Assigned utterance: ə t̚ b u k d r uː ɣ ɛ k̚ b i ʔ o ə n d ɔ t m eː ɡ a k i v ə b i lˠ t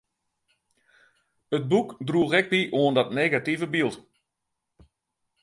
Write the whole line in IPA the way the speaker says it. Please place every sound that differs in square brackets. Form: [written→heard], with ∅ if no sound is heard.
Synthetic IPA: ə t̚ b u k d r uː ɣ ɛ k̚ b i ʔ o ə n d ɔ t [m→n] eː ɡ a [k→t] i v ə b i lˠ t